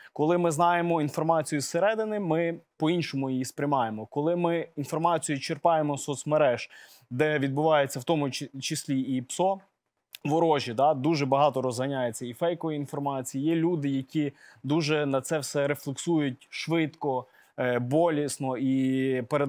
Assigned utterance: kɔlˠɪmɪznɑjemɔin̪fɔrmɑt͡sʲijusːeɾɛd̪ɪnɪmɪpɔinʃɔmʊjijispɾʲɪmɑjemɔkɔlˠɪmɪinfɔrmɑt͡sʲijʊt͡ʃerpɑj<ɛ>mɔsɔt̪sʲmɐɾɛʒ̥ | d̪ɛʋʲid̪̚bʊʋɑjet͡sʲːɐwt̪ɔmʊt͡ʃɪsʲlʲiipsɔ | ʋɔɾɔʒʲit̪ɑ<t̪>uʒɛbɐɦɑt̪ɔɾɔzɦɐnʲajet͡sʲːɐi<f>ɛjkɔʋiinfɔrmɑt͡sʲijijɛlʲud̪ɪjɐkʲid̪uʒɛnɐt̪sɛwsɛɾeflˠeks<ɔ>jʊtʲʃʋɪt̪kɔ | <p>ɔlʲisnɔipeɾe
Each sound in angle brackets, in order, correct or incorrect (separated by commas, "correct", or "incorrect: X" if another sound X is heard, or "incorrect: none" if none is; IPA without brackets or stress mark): incorrect: e, incorrect: d̪, correct, incorrect: u, incorrect: b